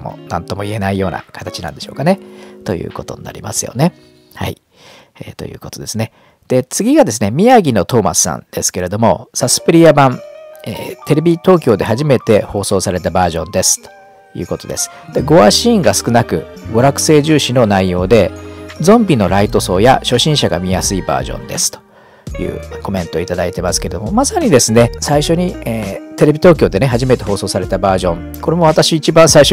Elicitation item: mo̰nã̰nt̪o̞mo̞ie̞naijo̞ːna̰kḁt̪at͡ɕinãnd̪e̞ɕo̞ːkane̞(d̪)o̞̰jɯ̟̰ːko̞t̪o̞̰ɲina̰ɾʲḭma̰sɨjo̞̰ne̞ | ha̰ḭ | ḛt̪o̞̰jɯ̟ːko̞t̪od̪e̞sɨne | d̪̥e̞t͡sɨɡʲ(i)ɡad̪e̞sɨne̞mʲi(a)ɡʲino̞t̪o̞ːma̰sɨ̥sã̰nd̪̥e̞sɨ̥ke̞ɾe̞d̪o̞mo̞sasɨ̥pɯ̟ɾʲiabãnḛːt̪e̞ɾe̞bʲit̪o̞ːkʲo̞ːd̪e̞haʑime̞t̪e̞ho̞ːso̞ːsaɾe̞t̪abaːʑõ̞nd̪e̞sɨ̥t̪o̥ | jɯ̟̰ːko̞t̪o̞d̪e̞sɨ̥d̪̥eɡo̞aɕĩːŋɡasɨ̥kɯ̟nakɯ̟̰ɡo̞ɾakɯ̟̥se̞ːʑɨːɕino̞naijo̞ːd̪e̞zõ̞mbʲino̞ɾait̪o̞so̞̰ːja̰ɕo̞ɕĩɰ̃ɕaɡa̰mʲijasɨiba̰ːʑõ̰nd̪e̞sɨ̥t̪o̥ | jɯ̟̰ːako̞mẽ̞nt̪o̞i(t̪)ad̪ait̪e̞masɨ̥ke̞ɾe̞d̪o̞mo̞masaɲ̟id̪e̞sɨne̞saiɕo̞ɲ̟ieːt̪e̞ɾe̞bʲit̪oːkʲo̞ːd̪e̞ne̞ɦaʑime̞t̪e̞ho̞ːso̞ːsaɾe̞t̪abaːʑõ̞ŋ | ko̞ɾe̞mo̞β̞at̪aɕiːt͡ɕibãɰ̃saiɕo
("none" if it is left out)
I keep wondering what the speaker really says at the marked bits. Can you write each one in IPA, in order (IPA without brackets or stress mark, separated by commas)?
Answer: t̪, i, a, t̪